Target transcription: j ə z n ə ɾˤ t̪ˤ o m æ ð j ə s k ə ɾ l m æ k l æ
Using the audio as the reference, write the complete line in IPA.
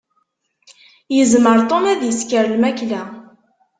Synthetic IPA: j ə z m ə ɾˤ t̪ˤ o m æ ð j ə s k ə ɾ l m æ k l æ